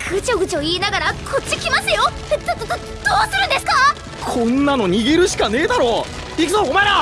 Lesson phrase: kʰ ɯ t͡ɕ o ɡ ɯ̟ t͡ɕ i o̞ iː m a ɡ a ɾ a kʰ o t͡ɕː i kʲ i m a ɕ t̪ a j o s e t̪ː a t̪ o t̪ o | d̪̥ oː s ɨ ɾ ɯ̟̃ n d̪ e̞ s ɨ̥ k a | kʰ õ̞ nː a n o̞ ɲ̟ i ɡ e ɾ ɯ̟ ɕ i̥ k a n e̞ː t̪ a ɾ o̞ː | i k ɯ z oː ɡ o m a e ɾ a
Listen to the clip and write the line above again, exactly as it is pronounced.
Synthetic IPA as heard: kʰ ɯ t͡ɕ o ɡ ɯ̟ t͡ɕ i o̞ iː n a ɡ a ɾ a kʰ o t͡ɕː i kʲ i m a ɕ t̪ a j o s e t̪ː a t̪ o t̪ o | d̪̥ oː s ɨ ɾ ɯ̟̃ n d̪ e̞ s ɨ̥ k a | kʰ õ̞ nː a n o̞ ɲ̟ i ɡ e ɾ ɯ̟ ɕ i̥ k a n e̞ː d̪ a ɾ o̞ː | i k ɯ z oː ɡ o m a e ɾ a

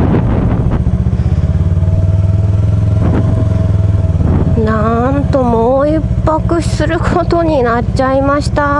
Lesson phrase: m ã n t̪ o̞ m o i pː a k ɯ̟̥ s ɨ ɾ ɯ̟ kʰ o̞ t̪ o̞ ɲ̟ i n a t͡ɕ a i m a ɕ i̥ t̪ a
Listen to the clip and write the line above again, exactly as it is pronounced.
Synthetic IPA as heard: n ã n t̪ o̞ m o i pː a k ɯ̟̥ s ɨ ɾ ɯ̟ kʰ o̞ t̪ o̞ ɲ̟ i n a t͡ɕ a i m a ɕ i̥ t̪ a

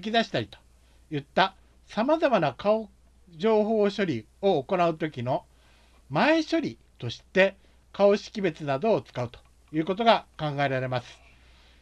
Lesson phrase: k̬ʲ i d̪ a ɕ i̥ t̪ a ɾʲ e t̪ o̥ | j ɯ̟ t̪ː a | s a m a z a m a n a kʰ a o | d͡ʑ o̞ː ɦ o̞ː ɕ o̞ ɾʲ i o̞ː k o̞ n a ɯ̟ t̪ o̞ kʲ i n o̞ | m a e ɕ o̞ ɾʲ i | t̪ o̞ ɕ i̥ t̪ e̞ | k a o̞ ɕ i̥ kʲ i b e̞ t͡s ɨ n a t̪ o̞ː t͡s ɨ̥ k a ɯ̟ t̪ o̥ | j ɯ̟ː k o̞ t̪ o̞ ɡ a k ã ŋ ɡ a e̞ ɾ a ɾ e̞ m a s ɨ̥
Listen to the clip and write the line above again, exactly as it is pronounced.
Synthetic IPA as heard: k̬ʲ i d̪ a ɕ i̥ t̪ a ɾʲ i t̪ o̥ | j ɯ̟ t̪ː a | s a m a z a m a n a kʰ a o | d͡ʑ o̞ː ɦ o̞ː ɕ o̞ ɾʲ i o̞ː k o̞ n a ɯ̟ t̪ o̞ kʲ i n o̞ | m a e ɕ o̞ ɾʲ i | t̪ o̞ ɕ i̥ t̪ e̞ | k a o̞ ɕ i̥ kʲ i b e̞ t͡s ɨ n a d̪ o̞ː t͡s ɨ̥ k a ɯ̟ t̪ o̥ | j ɯ̟ː k o̞ t̪ o̞ ɡ a k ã ŋ ɡ a e̞ ɾ a ɾ e̞ m a s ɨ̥

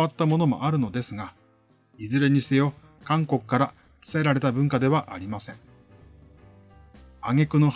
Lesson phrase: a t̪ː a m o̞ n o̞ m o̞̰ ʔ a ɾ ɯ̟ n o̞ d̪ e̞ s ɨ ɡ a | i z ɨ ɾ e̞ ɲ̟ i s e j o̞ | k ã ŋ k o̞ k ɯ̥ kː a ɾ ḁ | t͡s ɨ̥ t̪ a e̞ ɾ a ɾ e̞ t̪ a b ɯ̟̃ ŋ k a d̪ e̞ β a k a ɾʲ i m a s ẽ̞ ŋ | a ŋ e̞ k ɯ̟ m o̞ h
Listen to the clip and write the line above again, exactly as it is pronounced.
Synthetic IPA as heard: a t̪ː a m o̞ n o̞ m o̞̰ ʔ a ɾ ɯ̟ n o̞ d̪ e̞ s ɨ ɡ a | i z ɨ ɾ e̞ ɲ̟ i s e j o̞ | k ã ŋ k o̞ k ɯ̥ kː a ɾ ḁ | t͡s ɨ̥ t̪ a e̞ ɾ a ɾ e̞ t̪ a b ɯ̟̃ ŋ k a d̪ e̞ β a ʔ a ɾʲ i m a s ẽ̞ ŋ | a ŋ e̞ k ɯ̟ n o̞ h

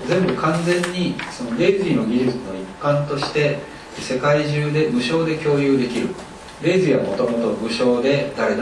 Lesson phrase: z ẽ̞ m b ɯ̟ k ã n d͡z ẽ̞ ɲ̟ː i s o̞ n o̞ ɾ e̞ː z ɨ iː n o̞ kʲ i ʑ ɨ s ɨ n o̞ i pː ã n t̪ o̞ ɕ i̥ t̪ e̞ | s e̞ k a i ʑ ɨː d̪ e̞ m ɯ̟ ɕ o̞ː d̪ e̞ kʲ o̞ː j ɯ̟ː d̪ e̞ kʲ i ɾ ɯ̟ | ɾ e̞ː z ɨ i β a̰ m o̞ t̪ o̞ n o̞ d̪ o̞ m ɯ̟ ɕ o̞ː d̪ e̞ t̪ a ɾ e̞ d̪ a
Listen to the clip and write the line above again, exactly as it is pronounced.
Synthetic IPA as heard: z ẽ̞ m b ɯ̟ k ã n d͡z ẽ̞ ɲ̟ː i s o̞ n o̞ ɾ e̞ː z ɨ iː n o̞ ɡʲ i ʑ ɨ t͡s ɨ n o̞ i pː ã n t̪ o̞ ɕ i̥ t̪ e̞ | s e̞ k a i ʑ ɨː d̪ e̞ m ɯ̟ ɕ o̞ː d̪ e̞ kʲ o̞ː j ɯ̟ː d̪ e̞ kʲ i ɾ ɯ̟ | ɾ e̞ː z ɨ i β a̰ m o̞ t̪ o̞ m o̞ t̪ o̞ m ɯ̟ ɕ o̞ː d̪ e̞ d̪ a ɾ e̞ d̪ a

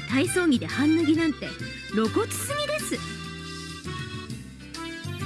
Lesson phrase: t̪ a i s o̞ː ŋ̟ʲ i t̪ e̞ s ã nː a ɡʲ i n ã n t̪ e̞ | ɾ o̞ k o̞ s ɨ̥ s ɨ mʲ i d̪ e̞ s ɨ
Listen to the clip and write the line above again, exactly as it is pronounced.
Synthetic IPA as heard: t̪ a i s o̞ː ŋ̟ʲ i d̪ e̞ h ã nː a ɡʲ i n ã n t̪ e̞ | ɾ o̞ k o̞ t͡s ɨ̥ s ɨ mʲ i d̪ e̞ s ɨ

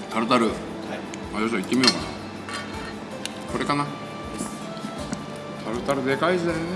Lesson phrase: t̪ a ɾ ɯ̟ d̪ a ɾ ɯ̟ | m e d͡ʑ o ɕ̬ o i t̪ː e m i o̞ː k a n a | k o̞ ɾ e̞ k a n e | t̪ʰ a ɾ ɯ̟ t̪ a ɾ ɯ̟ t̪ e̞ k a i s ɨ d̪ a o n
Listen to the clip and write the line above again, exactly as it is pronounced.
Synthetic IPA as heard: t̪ a ɾ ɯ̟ t̪ a ɾ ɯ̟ | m a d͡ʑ o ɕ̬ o i t̪ː e m i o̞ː k a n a | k o̞ ɾ e̞ k a n a | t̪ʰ a ɾ ɯ̟ t̪ a ɾ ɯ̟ d̪ e̞ k a i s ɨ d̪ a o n

